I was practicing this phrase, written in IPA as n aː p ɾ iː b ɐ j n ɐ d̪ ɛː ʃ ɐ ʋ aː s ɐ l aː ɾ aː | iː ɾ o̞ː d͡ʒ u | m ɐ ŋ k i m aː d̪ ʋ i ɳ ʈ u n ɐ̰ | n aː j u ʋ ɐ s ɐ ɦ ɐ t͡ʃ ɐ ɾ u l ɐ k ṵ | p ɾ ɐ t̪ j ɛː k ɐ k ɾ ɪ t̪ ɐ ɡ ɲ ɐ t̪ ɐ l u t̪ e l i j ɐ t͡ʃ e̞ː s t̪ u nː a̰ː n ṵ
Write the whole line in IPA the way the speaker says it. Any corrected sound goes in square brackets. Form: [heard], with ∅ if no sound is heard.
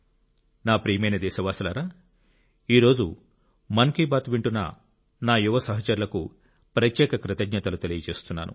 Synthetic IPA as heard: n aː p ɾ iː [m] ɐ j n ɐ d̪ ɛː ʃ ɐ ʋ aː s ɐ l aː ɾ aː | iː ɾ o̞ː d͡ʒ u | m ɐ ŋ k i [b] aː [t̪] ʋ i ɳ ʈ u n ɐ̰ | n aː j u ʋ ɐ s ɐ ɦ ɐ t͡ʃ ɐ ɾ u l ɐ k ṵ | p ɾ ɐ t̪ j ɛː k ɐ k ɾ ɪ t̪ ɐ ɡ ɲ ɐ t̪ ɐ l u t̪ e l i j ɐ t͡ʃ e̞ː s t̪ u nː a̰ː n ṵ